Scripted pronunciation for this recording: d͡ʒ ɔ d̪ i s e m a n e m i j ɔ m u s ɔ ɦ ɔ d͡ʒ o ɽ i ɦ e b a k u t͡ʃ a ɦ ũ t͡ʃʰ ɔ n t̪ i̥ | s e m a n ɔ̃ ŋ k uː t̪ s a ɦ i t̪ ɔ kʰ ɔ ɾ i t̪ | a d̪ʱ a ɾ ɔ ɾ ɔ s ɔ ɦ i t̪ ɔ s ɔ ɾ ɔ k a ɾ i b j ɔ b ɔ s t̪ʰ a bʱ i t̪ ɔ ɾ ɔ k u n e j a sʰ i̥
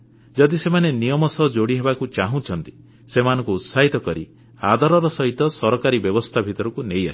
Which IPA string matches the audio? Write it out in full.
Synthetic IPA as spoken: d͡ʒ ɔ d̪ i s e m a n e n i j ɔ m ɔ s ɔ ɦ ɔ d͡ʒ o ɽ i ɦ e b a k u t͡ʃ a ɦ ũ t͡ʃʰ ɔ n t̪ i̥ | s e m a n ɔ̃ ŋ k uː t̪ s a ɦ i t̪ ɔ k ɔ ɾ i | a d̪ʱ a ɾ ɔ ɾ ɔ s ɔ ɦ i t̪ ɔ s ɔ ɾ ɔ k a ɾ i b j ɔ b ɔ s t̪ʰ a bʱ i t̪ ɔ ɾ ɔ k u n e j a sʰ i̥

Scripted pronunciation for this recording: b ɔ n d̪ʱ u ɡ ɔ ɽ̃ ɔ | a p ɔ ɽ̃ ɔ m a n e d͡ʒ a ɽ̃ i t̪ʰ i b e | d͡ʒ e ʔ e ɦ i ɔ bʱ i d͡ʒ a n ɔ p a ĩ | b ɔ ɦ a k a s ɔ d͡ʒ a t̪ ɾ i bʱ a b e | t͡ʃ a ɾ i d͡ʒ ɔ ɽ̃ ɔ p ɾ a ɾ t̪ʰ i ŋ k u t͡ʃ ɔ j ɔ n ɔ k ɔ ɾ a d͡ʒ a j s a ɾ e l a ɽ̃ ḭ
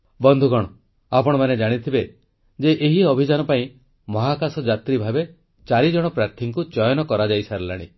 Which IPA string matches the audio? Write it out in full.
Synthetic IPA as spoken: b ɔ n d̪ʱ u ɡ ɔ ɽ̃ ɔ | a p ɔ ɽ̃ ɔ m a n e d͡ʒ a ɽ̃ i t̪ʰ i b e | d͡ʒ e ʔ e ɦ i ɔ bʱ i d͡ʒ a n ɔ p a ĩ | m ɔ ɦ a k a s ɔ d͡ʒ a t̪ ɾ i bʱ a b e | t͡ʃ a ɾ i d͡ʒ ɔ ɽ̃ ɔ p ɾ a ɾ t̪ʰ i ŋ k u t͡ʃ ɔ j ɔ n ɔ k ɔ ɾ a d͡ʒ a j s a ɾ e l a ɽ̃ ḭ

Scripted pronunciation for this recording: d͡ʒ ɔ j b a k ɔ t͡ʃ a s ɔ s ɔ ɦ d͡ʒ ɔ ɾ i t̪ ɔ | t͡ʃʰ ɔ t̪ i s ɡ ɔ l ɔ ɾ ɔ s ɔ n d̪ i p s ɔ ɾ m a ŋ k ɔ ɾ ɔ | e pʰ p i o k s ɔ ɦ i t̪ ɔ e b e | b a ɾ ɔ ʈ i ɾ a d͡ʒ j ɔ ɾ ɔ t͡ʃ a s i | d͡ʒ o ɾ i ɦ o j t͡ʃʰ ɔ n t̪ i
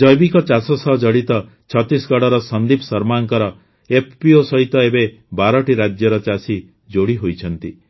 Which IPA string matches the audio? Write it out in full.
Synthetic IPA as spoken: d͡ʒ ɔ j b i k ɔ t͡ʃ a s ɔ s ɔ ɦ d͡ʒ ɔ ɽ i t̪ ɔ | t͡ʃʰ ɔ t̪ i s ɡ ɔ ɽ ɔ ɾ ɔ s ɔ n d̪ i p s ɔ ɾ m a ŋ k ɔ ɾ ɔ | e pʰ p i o s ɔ ɦ i t̪ ɔ e b e | b a ɾ ɔ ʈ i ɾ a d͡ʒ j ɔ ɾ ɔ t͡ʃ a s i | d͡ʒ o ɽ i ɦ o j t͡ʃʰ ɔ n t̪ i

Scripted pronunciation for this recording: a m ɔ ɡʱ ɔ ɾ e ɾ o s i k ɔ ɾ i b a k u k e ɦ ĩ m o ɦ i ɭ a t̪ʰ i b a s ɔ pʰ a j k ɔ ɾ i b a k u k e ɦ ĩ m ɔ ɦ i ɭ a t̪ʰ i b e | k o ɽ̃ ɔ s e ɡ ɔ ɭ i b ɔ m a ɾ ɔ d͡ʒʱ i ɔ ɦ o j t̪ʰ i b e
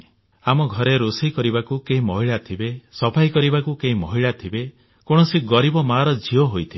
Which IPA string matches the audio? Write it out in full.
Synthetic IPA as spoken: a m ɔ ɡʱ ɔ ɾ e ɾ o s i k ɔ ɾ i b a k u k e ɦ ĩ m ɔ ɦ i ɭ a t̪ʰ i b e s ɔ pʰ a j k ɔ ɾ i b a k u k e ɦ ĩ m ɔ ɦ i ɭ a t̪ʰ i b e | k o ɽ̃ ɔ s i ɡ ɔ ɾ i b ɔ m a ɾ ɔ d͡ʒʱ i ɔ ɦ o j t̪ʰ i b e

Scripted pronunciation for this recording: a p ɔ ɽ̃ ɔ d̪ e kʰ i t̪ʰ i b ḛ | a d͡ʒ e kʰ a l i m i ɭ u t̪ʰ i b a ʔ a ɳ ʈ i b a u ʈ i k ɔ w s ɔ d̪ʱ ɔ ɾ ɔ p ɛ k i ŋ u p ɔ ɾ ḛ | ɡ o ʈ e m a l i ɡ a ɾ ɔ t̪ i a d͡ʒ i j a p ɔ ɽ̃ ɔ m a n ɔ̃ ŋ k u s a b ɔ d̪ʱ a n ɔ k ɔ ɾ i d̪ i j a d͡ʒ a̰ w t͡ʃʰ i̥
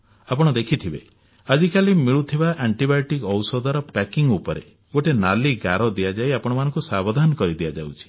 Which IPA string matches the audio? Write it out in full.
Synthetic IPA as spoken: a p ɔ ɽ̃ ɔ d̪ e kʰ i t̪ʰ i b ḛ | a d͡ʒ i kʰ a l i m i ɭ u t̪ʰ i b a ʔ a ɳ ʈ i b a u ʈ i k ɔ w s ɔ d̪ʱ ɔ ɾ ɔ p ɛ k i ŋ u p ɔ ɾ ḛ | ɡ o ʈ e n a l i ɡ a ɾ ɔ d̪ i a d͡ʒ a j a p ɔ ɽ̃ ɔ m a n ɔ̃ ŋ k u s a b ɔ d̪ʱ a n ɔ k ɔ ɾ i d̪ i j a d͡ʒ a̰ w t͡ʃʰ i̥

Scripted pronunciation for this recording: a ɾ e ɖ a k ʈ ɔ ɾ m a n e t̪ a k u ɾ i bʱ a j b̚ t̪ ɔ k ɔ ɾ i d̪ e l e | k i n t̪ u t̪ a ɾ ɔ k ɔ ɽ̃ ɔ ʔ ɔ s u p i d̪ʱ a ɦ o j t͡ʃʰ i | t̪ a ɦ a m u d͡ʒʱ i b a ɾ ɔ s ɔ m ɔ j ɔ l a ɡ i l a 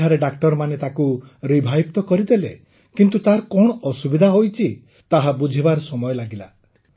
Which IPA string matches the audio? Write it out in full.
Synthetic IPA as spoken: a ɾ e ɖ a k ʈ ɔ ɾ m a n e t̪ a k u ɾ i bʱ a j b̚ t̪ ɔ k ɔ ɾ i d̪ e l e | k i n t̪ u t̪ a ɾ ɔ k ɔ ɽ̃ ɔ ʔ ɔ s u b i d̪ʱ a ɦ o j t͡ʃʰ i | t̪ a ɦ a b u d͡ʒʱ i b a ɾ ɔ s ɔ m ɔ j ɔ l a ɡ i l a

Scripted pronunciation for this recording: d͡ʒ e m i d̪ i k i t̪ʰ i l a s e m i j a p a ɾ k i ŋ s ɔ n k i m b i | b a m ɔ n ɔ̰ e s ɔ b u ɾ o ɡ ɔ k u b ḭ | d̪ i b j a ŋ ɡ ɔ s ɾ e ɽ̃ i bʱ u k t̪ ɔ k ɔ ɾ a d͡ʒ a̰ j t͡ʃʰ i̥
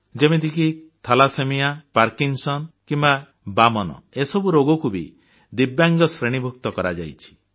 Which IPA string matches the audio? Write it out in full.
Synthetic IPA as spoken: d͡ʒ e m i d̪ i k i t̪ʰ a l a s e m i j a p a ɾ k i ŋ s ɔ n k i m b a | b a m ɔ n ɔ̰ e s ɔ b u ɾ o ɡ ɔ k u b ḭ | d̪ i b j a ŋ ɡ ɔ s ɾ e ɽ̃ i bʱ u k t̪ ɔ k ɔ ɾ a d͡ʒ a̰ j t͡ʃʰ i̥

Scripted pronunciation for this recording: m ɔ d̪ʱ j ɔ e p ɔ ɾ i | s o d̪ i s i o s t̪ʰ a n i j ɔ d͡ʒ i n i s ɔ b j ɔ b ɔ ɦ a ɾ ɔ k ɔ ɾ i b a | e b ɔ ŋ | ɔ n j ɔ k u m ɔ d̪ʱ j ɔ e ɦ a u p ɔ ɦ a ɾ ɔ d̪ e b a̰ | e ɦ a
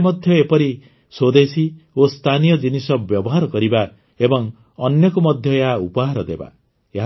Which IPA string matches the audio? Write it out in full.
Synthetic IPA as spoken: m ɔ d̪ʱ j ɔ e p ɔ ɾ i | s o d̪ e s i o s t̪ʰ a n i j ɔ d͡ʒ i n i s ɔ b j ɔ b ɔ ɦ a ɾ ɔ k ɔ ɾ i b a | e b ɔ ŋ | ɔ n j ɔ k u m ɔ d̪ʱ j ɔ e ɦ a u p ɔ ɦ a ɾ ɔ d̪ e b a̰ | e ɦ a

